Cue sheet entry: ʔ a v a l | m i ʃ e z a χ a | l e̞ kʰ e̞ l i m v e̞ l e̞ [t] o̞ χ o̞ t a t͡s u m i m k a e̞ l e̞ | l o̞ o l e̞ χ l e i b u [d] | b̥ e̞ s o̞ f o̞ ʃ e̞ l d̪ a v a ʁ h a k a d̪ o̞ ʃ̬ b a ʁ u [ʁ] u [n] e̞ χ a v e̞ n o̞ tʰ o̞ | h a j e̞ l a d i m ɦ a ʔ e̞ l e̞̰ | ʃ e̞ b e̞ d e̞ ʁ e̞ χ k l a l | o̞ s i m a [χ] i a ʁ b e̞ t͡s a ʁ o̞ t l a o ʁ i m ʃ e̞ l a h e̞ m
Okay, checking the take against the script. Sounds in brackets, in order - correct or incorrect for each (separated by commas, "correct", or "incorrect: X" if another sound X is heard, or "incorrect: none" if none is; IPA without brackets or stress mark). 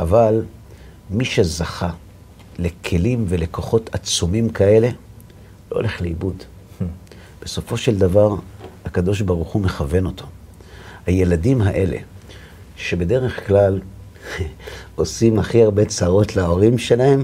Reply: incorrect: k, correct, incorrect: χ, incorrect: m, correct